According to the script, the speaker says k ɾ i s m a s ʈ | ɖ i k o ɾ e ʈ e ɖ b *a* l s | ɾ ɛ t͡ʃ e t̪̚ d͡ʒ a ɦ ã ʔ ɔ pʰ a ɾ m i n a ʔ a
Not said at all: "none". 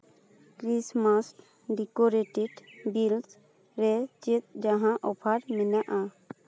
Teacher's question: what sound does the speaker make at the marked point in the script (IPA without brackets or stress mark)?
i